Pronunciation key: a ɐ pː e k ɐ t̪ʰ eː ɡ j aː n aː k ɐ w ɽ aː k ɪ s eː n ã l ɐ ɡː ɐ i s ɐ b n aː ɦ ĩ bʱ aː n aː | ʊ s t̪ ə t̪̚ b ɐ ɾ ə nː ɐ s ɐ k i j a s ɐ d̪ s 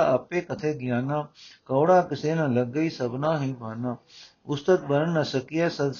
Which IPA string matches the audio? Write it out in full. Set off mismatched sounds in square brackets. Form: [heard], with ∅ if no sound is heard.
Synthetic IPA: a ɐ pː e k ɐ t̪ʰ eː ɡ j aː n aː k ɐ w ɽ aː k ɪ s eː n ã l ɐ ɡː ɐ i s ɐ b n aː ɦ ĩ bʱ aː n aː | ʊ s t̪ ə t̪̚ b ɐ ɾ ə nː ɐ s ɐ k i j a s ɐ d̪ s